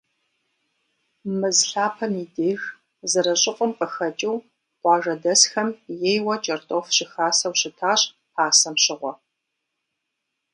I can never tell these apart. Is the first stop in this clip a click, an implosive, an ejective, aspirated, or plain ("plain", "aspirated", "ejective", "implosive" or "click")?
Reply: aspirated